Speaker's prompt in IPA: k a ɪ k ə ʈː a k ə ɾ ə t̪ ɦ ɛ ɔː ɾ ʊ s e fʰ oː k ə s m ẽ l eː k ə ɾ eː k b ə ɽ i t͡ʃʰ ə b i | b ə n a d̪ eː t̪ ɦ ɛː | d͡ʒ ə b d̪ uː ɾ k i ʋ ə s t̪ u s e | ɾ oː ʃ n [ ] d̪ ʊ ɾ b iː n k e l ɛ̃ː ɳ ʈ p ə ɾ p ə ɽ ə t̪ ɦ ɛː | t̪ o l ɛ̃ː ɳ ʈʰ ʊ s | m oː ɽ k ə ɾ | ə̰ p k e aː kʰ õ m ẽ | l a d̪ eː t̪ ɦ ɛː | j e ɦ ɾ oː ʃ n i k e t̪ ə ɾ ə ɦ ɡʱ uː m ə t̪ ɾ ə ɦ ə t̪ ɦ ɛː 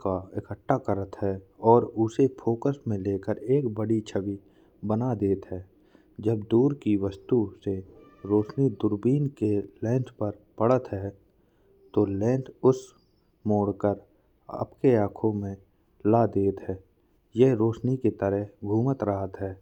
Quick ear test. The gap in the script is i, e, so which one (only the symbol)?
i